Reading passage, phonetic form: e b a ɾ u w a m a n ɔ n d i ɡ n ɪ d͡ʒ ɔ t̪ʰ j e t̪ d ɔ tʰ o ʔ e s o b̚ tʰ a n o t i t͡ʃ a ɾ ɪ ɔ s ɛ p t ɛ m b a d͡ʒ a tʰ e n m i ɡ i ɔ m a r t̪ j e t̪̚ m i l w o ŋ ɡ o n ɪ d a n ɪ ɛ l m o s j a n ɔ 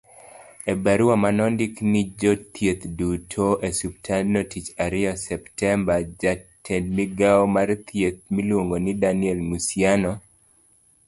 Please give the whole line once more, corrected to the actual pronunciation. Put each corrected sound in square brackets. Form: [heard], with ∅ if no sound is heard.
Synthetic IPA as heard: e b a ɾ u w a m a n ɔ n d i [k] n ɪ d͡ʒ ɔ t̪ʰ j e t̪ d [u] tʰ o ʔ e s [u] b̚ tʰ a n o t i t͡ʃ a ɾ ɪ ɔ s ɛ p t ɛ m b a d͡ʒ a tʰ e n m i ɡ [a] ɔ m a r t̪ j e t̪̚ m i l w o ŋ ɡ o n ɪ d a n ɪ ɛ l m [u] s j a n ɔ